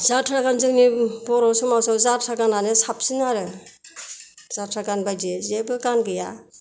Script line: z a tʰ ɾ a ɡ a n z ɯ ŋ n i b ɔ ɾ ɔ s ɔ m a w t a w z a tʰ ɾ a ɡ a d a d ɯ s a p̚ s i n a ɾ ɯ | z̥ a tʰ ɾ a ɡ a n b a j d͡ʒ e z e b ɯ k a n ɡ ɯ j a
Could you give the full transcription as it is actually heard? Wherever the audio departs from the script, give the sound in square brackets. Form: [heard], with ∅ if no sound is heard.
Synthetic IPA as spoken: z a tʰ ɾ a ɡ a n z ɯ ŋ n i b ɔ ɾ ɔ s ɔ m a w [s] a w z a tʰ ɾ a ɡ a [n] a [n] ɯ s a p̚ s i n a ɾ ɯ | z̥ a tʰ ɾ a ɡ a n b a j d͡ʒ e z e b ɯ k a n ɡ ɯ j a